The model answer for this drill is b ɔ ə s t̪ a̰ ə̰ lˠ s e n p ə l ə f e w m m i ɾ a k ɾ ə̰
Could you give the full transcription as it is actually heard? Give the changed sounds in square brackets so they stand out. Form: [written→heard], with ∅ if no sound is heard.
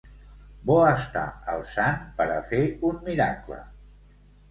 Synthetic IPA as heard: b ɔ ə s t̪ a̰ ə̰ lˠ s [e→a] n p ə [l→ɾ] ə f e [w→u] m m i ɾ a k [ɾ→l] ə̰